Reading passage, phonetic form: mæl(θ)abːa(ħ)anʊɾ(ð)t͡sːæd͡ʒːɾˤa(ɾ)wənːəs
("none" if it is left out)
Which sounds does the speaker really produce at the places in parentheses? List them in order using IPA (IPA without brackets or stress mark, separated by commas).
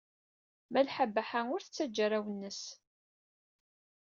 ħ, ħ, θ, none